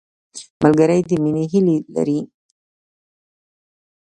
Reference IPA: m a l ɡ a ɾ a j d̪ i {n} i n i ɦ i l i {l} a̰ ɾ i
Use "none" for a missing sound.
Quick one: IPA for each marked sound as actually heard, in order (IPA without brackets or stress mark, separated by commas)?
m, l